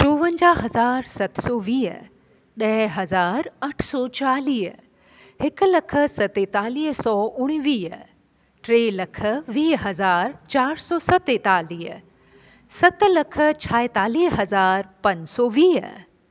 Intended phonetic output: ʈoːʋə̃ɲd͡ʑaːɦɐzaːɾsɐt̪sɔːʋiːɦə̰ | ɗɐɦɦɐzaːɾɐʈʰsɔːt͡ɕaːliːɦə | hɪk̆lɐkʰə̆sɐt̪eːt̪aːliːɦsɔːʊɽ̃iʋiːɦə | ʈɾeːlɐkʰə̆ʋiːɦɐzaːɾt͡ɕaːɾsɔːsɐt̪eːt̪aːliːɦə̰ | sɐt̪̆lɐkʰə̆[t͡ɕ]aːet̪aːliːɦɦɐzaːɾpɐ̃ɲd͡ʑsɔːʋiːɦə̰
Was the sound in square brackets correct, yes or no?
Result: no